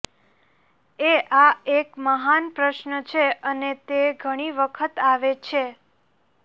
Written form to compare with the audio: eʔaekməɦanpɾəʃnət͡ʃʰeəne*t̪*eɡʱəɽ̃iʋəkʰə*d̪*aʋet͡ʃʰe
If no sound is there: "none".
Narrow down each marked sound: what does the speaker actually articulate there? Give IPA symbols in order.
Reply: t̪, t̪

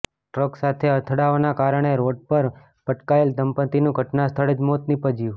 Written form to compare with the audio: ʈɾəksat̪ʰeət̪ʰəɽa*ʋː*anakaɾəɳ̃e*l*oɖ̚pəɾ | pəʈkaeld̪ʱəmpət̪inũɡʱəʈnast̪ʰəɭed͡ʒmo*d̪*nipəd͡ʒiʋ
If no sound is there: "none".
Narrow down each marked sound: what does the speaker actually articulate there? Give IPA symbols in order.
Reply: ʋ, ɾ, t̪

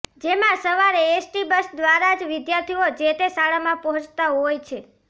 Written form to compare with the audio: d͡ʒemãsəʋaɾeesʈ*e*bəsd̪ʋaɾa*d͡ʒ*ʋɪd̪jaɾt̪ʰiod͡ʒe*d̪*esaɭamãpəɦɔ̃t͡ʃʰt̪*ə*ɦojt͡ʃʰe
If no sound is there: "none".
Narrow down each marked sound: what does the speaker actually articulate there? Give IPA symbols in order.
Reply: i, d͡ʒ, t̪, a

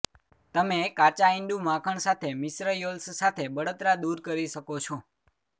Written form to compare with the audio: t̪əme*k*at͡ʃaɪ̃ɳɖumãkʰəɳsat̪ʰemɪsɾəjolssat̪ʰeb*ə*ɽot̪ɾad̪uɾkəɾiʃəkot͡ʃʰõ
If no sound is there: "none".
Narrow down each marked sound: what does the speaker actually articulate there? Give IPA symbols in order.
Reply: k, ə

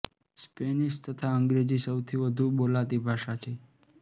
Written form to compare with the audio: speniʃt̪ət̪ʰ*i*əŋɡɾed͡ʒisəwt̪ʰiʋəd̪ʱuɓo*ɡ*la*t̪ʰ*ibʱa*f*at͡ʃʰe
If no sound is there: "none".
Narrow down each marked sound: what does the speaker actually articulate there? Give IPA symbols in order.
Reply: a, none, t̪, ʃ

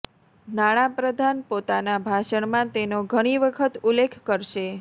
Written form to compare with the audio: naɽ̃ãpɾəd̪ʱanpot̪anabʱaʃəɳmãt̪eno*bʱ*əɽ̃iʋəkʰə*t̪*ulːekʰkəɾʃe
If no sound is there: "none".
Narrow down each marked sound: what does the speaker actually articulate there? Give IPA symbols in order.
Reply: ɡʱ, t̪

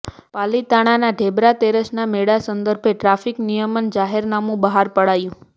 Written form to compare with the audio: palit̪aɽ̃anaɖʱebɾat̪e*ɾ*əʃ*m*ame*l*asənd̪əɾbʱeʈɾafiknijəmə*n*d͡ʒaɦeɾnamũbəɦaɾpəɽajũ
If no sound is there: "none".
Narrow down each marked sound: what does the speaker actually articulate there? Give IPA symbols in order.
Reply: ɾ, n, ɽ, n

